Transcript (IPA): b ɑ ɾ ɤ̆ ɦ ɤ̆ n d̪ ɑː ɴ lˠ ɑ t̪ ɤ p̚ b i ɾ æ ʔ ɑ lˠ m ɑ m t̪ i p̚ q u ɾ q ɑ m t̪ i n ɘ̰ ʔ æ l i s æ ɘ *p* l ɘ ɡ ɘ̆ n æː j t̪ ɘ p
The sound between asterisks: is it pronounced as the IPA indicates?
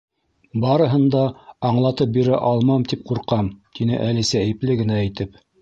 yes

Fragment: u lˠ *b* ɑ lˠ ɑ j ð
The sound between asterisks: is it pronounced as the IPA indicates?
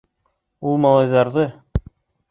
no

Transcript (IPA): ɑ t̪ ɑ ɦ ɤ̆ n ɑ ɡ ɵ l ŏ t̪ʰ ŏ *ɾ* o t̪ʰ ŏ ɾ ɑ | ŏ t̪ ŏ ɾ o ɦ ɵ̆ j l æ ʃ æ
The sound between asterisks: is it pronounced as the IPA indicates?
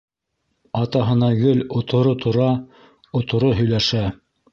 yes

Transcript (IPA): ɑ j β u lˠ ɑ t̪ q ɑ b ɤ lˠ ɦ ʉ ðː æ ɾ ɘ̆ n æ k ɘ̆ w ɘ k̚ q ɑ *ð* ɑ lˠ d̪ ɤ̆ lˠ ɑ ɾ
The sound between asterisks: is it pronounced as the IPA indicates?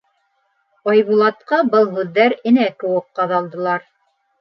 yes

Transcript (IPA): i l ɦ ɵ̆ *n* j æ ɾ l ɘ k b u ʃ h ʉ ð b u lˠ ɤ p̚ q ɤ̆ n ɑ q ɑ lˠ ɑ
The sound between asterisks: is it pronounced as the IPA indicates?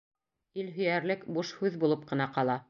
no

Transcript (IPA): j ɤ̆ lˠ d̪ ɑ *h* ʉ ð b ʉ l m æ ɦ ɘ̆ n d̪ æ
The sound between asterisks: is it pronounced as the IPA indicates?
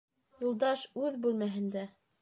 no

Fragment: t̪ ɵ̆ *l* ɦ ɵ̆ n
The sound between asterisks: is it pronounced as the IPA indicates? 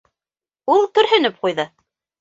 no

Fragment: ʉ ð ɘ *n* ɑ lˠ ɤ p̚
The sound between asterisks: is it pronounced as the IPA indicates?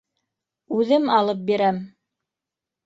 no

